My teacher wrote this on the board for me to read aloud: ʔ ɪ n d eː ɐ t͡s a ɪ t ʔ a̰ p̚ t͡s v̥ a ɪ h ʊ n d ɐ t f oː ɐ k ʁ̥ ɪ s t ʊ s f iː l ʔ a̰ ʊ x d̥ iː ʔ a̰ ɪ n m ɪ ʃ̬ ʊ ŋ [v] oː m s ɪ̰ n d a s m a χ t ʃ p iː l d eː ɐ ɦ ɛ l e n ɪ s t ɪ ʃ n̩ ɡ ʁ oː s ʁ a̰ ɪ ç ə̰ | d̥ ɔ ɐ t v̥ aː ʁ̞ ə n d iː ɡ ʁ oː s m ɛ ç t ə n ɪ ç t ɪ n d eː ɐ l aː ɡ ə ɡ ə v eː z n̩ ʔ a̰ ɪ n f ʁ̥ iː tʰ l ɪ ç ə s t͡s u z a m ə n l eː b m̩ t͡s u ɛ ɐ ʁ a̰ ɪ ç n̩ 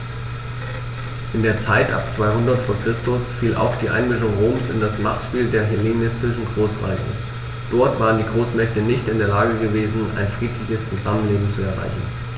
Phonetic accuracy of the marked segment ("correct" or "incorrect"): incorrect